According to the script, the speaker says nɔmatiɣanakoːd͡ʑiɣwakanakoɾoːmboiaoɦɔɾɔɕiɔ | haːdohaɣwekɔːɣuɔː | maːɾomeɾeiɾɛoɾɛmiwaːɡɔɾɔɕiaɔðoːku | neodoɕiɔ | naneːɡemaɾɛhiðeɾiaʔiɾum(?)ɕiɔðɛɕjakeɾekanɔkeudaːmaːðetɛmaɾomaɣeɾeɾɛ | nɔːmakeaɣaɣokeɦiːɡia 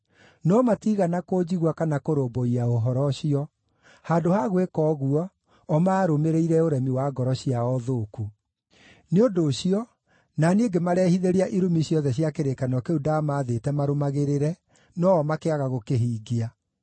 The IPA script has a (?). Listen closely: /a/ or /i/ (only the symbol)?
i